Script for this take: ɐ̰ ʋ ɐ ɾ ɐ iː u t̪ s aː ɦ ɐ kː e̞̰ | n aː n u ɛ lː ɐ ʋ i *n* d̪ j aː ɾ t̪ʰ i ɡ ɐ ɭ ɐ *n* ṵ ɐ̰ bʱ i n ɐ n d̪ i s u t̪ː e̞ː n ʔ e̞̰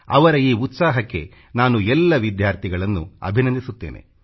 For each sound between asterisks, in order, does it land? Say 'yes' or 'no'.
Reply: no, no

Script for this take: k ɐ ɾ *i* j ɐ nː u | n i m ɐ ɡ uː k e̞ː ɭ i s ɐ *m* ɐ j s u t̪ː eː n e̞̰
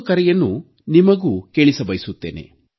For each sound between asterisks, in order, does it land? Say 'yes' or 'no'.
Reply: no, no

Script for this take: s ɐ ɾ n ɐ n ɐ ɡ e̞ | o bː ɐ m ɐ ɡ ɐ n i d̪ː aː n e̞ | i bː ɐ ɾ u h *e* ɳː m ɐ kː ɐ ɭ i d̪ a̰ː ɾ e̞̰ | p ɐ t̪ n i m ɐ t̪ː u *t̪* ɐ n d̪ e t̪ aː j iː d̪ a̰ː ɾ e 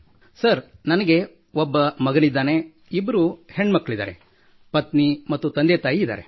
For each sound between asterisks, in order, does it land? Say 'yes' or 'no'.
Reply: yes, yes

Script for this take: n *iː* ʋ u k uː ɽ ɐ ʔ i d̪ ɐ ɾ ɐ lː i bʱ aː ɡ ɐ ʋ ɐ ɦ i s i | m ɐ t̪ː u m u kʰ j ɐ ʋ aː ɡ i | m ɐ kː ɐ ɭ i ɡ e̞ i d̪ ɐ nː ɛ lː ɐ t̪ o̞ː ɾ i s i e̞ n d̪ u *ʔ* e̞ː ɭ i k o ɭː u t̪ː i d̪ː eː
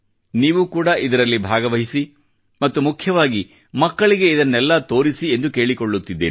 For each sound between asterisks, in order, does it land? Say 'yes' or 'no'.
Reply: yes, no

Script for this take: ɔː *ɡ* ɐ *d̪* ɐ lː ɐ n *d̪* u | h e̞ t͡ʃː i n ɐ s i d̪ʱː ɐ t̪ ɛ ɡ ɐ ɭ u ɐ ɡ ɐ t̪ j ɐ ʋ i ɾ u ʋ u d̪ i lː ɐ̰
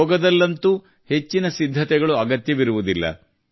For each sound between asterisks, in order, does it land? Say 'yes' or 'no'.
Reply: yes, yes, no

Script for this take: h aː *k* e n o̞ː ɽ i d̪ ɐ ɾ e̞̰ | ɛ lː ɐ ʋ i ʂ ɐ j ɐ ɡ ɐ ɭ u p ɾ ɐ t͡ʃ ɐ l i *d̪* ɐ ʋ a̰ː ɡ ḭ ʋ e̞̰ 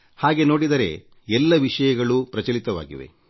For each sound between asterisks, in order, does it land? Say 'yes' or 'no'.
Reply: no, no

